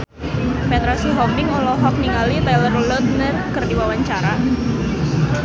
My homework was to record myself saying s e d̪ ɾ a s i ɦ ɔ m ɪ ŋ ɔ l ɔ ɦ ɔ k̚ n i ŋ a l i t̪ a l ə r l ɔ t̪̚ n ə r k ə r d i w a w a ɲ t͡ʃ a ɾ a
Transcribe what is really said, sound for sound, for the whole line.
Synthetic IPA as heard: f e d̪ ɾ a s i ɦ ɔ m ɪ ŋ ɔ l ɔ ɦ ɔ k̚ n i ŋ a l i t̪ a l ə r l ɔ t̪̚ n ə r k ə r d i w a w a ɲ t͡ʃ a ɾ a